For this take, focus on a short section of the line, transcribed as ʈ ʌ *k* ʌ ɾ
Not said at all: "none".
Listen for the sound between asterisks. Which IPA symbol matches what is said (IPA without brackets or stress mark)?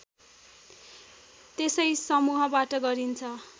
ɡ